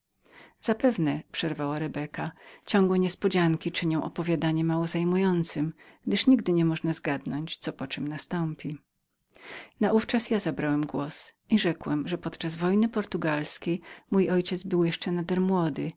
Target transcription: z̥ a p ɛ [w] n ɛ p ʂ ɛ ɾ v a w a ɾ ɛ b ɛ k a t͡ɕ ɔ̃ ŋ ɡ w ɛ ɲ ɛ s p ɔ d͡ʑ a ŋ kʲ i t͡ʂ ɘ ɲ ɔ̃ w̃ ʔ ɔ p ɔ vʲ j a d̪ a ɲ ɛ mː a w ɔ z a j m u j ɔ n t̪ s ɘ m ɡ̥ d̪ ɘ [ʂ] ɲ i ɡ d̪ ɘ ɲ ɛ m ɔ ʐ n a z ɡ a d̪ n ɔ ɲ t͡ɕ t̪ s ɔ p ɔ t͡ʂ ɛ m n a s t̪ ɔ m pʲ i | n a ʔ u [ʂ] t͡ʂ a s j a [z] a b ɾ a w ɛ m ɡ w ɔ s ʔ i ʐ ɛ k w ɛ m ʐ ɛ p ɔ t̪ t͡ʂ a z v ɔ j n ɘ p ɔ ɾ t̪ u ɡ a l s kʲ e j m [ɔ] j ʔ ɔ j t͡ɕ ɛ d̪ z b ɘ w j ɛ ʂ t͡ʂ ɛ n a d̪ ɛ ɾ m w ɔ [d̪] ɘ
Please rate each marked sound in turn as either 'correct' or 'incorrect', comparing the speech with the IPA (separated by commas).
incorrect, correct, incorrect, correct, incorrect, correct